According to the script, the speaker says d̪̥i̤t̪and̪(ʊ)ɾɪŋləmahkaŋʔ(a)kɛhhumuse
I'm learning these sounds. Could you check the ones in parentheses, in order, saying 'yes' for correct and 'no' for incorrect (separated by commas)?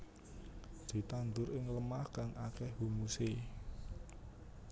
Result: yes, yes